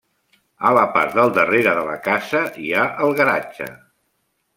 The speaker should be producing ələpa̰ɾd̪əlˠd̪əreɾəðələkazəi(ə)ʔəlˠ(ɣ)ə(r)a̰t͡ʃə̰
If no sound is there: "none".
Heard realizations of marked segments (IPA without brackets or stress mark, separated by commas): a, ɣ, ɾ